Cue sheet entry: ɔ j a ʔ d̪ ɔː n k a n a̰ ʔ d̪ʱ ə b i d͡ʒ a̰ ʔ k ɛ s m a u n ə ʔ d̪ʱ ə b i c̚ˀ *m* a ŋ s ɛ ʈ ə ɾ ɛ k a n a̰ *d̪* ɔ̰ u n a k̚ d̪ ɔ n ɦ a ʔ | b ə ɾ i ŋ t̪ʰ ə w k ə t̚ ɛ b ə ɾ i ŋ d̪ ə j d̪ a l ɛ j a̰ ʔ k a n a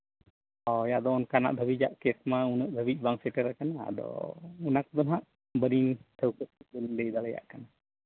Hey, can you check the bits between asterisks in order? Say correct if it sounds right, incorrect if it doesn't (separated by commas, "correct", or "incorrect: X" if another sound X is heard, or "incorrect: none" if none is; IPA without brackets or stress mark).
incorrect: b, correct